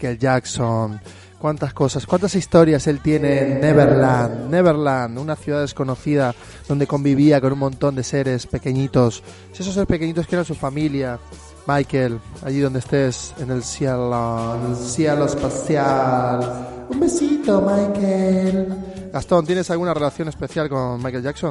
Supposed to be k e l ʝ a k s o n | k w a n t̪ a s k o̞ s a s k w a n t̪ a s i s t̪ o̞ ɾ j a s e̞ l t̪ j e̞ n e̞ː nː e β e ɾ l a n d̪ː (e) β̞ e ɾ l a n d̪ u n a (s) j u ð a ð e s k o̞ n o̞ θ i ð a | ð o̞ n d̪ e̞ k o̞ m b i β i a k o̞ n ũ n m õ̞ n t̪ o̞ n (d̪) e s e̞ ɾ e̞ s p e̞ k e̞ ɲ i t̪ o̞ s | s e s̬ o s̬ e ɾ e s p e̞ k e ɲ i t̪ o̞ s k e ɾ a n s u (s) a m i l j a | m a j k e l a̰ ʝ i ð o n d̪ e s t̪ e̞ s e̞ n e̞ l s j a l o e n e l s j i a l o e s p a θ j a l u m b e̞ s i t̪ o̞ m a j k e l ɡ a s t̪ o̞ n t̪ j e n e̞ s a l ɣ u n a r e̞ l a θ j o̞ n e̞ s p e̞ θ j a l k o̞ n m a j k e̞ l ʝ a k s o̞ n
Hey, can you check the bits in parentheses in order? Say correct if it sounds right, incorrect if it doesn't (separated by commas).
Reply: correct, incorrect, correct, incorrect